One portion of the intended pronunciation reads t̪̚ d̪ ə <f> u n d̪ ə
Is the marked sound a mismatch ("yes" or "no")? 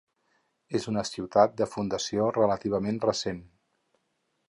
no